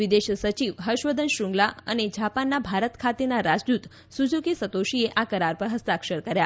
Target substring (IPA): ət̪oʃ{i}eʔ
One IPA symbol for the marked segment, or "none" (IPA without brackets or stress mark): i